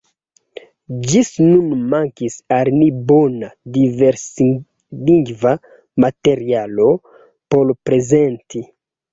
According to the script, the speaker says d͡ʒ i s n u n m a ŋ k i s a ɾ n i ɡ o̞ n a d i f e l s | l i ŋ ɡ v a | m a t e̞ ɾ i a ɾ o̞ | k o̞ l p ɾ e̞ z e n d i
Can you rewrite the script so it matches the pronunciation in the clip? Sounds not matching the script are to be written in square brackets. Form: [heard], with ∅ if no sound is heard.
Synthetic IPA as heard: d͡ʒ i s n u n m a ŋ k i s a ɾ n i [b] o̞ n a d i [v] e [ɾ] s | l i ŋ ɡ v a | m a t e̞ ɾ i a [l] o̞ | [p] o̞ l p ɾ e̞ z e n [t] i